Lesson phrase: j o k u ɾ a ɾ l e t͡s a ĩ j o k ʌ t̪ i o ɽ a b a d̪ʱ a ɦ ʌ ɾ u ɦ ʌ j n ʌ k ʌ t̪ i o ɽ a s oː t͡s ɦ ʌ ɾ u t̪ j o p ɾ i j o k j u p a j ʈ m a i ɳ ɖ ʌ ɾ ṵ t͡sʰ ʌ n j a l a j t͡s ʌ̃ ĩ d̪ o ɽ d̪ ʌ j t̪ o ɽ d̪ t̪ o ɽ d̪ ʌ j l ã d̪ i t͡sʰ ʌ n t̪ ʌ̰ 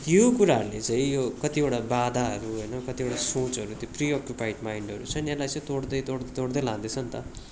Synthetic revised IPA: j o k u ɾ a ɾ l e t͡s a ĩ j o k ʌ t̪ i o ɽ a b a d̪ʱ a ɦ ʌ ɾ u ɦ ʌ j n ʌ k ʌ t̪ i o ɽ a s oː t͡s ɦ ʌ ɾ u t̪ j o p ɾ i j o k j u p a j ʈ m a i ɳ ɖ ʌ ɾ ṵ t͡sʰ ʌ n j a l a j t͡s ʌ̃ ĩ t̪ o ɽ d̪ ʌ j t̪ o ɽ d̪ t̪ o ɽ d̪ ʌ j l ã d̪ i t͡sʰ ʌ n t̪ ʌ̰